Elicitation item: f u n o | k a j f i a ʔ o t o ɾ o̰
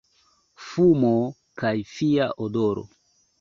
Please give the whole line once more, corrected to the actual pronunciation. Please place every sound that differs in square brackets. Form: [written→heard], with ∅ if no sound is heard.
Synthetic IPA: f u [n→m] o | k a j f i a ʔ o [t→d] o ɾ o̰